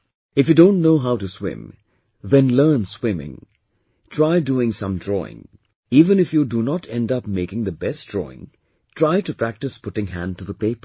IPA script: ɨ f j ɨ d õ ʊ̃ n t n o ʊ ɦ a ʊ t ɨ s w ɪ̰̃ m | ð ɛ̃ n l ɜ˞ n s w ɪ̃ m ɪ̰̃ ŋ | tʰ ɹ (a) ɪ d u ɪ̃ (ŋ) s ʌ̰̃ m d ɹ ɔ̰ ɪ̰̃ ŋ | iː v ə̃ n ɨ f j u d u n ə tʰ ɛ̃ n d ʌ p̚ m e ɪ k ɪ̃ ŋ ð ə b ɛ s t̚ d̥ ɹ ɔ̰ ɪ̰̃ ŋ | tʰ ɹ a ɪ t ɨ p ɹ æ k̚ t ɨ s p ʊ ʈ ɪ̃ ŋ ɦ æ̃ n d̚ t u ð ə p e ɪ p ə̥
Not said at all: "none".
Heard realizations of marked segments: a, ŋ

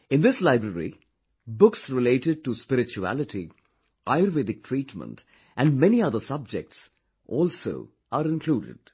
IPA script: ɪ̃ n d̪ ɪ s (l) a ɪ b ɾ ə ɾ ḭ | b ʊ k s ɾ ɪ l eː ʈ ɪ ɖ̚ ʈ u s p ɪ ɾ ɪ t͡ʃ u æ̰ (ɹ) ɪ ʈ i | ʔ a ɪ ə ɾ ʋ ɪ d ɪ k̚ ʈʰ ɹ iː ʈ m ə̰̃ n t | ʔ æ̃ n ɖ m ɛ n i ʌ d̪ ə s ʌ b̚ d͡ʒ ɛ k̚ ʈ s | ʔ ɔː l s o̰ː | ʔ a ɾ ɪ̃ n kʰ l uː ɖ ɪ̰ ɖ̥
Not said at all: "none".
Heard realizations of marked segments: l, l

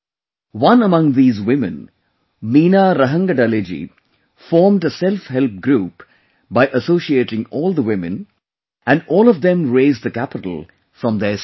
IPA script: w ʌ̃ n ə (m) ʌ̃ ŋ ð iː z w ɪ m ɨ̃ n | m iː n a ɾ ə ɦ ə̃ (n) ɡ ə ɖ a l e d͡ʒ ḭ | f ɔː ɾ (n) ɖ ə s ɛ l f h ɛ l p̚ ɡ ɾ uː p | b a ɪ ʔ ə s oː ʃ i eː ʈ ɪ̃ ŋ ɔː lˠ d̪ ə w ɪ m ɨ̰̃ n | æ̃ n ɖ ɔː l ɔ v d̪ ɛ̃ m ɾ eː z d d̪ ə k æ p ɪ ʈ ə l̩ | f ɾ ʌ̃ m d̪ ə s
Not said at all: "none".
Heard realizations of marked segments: m, ŋ, m

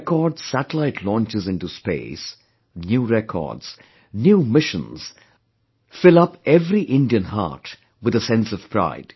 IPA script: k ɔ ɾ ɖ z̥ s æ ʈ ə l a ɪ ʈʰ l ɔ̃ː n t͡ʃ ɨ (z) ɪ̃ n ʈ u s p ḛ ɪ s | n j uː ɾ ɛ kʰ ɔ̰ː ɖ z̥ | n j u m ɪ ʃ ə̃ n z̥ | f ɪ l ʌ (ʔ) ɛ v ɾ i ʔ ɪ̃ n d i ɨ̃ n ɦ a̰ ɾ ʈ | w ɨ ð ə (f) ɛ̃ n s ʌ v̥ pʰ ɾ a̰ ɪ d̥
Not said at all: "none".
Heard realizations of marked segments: z, p, s

